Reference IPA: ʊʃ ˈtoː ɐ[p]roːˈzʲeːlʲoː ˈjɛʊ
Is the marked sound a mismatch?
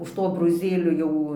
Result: yes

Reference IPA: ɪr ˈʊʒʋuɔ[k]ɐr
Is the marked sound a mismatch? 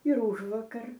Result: no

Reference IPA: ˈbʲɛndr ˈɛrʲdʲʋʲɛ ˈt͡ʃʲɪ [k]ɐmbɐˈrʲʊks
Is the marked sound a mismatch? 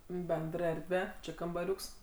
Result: no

